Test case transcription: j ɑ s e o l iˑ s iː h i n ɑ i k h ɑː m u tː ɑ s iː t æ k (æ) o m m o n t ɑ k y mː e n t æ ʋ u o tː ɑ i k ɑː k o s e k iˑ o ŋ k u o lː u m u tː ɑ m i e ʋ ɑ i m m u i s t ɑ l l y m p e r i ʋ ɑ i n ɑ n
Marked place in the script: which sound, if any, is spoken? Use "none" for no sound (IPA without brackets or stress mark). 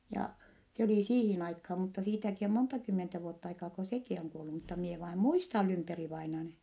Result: i